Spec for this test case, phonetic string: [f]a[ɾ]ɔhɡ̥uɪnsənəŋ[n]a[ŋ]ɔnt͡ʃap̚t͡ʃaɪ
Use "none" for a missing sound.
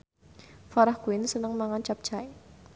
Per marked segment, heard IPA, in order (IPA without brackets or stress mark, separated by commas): f, ɾ, m, ŋ